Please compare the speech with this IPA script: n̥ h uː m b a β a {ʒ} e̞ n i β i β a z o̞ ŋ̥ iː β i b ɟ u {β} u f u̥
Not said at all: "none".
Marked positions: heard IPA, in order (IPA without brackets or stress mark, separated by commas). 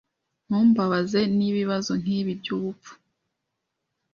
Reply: z, β